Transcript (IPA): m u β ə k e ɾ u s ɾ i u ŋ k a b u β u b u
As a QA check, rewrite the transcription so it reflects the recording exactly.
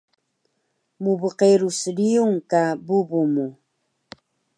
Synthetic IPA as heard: m u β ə q e ɾ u s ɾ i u ŋ k a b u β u m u

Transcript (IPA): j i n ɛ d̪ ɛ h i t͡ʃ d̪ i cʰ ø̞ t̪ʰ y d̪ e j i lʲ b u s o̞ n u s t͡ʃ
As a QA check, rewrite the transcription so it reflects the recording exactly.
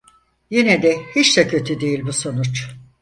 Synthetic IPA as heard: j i n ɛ d̪ ɛ h i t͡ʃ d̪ ɛ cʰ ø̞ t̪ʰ y d̪ e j i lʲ b u s o̞ n u t͡ʃ

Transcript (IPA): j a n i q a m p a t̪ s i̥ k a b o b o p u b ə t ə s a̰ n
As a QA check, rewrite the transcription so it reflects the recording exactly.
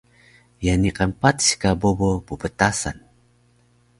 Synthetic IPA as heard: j a n i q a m p a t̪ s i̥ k a b o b o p u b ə t a s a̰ n

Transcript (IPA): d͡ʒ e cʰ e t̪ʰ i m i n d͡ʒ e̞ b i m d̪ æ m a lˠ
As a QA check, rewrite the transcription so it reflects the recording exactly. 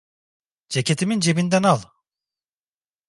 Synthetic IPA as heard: d͡ʒ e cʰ e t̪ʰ i m i n d͡ʒ e̞ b i n d̪ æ n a lˠ

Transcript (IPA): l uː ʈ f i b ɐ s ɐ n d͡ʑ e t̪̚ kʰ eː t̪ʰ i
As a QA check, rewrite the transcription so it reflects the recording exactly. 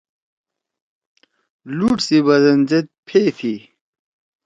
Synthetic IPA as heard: l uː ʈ s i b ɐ z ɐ n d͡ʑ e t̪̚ pʰ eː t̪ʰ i

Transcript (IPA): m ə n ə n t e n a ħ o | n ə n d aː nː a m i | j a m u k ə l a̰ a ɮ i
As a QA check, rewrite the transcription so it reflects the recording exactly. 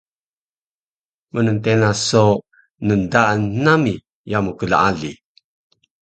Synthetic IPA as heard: m ə n ə n t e n a s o | n ə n d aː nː a m i | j a m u k ə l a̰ a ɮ i

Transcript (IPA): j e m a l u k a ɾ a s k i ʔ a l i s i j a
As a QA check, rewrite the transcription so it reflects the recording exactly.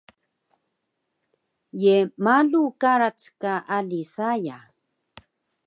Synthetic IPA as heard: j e m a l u k a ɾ a t͡s k a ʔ a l i s a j a

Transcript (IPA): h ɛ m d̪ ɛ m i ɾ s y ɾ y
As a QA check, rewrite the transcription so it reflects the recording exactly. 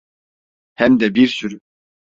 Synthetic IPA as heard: h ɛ m d̪ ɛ b i ɾ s y ɾ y

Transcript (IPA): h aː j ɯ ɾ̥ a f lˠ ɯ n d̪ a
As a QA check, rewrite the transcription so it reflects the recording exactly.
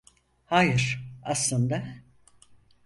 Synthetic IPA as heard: h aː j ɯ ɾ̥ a s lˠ ɯ n d̪ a

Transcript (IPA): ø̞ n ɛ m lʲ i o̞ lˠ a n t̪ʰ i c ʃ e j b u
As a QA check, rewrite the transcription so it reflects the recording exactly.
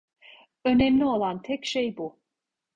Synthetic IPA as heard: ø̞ n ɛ m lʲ i o̞ lˠ a n t̪ʰ ɛ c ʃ e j b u

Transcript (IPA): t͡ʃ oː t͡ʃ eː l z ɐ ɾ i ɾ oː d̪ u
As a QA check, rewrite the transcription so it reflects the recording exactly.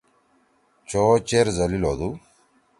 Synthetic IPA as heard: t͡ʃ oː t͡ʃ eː ɾ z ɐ l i l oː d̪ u

